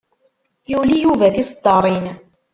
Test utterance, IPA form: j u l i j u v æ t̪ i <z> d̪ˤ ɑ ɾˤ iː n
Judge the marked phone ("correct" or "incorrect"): incorrect